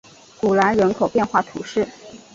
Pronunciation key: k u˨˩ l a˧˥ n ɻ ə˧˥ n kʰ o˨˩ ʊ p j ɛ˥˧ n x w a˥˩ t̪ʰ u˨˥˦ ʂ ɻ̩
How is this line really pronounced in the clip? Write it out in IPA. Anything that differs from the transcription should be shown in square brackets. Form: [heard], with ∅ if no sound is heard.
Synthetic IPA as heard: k u˨˩ l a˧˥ n ɻ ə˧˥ n kʰ o˨˩ ʊ p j ɛ˥˧ n x w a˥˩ t̪ʰ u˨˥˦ ʂ ɻ̩